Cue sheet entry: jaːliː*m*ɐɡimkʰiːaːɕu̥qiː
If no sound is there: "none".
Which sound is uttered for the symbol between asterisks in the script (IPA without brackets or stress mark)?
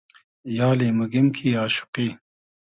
m